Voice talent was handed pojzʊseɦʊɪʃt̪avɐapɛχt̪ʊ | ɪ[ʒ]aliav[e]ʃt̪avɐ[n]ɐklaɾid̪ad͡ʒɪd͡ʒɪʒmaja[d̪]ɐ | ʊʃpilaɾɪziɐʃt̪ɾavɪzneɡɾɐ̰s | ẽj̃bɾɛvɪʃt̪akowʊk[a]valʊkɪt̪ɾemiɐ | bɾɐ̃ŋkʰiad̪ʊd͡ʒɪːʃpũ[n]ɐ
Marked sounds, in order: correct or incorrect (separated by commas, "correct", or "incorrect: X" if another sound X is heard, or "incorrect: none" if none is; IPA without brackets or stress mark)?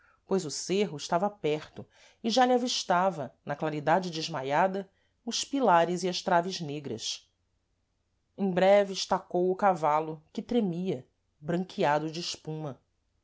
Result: correct, incorrect: i, correct, correct, correct, incorrect: m